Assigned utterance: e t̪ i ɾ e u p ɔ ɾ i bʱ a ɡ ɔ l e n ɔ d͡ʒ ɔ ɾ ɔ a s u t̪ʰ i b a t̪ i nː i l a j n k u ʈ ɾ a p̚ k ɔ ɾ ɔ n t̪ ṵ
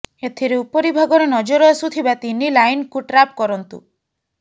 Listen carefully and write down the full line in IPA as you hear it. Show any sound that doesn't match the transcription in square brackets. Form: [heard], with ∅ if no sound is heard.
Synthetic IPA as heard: e [t̪ʰ] i ɾ e u p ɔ ɾ i bʱ a ɡ ɔ [ɾ] e n ɔ d͡ʒ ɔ ɾ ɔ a s u t̪ʰ i b a t̪ i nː i l a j n k u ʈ ɾ a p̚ k ɔ ɾ ɔ n t̪ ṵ